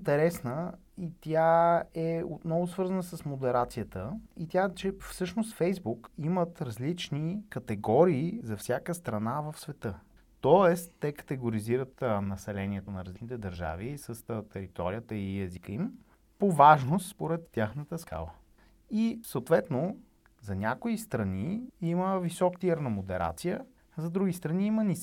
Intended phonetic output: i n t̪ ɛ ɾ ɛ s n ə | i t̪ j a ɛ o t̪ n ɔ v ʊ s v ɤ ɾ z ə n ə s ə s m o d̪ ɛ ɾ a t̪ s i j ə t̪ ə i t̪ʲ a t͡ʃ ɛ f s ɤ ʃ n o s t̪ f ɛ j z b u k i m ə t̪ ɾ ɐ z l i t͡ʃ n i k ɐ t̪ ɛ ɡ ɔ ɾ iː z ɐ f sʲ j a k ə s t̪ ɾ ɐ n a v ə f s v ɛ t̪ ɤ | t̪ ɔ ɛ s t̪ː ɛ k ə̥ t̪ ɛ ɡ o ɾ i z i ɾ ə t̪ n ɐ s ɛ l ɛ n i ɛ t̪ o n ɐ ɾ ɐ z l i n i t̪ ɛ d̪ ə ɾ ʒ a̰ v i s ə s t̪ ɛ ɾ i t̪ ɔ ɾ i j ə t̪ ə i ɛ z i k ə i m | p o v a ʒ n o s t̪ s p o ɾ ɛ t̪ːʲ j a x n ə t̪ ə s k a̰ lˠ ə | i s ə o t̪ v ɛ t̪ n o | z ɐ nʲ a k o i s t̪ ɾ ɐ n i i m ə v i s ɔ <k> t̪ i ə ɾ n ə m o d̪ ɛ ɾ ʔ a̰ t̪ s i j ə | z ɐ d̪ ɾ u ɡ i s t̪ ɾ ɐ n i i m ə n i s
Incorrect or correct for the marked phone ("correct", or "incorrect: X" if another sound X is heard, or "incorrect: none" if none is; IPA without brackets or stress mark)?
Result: correct